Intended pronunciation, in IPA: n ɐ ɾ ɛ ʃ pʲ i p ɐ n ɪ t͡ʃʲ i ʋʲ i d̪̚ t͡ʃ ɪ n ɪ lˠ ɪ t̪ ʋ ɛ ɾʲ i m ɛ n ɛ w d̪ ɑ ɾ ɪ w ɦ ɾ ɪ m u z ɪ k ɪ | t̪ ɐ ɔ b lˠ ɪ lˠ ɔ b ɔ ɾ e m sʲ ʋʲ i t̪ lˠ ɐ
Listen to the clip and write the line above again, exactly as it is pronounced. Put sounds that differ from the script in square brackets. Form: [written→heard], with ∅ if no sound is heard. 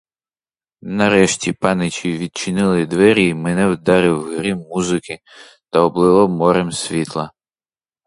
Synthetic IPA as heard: n ɐ ɾ ɛ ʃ [pʲ→tʲ] i p [ɐ→ɑ] n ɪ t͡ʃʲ i ʋʲ i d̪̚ t͡ʃ ɪ n ɪ lˠ ɪ [t̪→d̪] ʋ ɛ ɾʲ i m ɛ n ɛ w d̪ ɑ ɾ ɪ w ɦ ɾ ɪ m u z ɪ k ɪ | t̪ ɐ ɔ b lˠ ɪ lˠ ɔ [b→m] ɔ ɾ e m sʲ ʋʲ i t̪ lˠ ɐ